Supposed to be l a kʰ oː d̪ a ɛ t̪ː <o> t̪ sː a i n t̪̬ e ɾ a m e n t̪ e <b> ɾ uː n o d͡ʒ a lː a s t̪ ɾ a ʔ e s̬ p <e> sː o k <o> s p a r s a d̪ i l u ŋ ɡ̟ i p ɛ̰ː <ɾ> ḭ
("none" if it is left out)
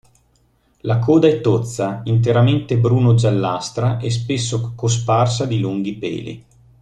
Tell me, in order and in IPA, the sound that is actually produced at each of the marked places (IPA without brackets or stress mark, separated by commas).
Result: o, b, e, o, l